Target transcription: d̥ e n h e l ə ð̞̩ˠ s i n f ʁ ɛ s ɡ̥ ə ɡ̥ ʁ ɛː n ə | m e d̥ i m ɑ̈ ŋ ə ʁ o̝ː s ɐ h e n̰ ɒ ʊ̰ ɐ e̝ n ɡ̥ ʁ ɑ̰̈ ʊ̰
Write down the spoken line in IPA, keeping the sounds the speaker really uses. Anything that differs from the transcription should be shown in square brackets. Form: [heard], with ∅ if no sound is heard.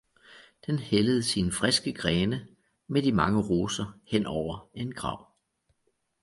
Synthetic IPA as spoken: d̥ e n h e l ə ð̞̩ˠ s i n f ʁ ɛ s ɡ̥ ə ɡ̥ ʁ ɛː n ə | m e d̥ i m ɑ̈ ŋ ə ʁ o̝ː s ɐ h e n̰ ɒ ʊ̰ ɐ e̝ n ɡ̥ ʁ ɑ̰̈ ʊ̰